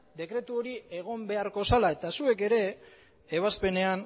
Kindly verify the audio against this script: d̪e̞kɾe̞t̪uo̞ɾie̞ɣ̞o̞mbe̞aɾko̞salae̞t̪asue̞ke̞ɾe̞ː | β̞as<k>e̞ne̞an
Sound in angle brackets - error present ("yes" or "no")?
yes